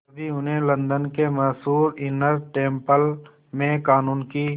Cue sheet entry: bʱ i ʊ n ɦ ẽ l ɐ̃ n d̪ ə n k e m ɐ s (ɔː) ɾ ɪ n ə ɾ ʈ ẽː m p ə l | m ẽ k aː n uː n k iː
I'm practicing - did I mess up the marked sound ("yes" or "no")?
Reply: yes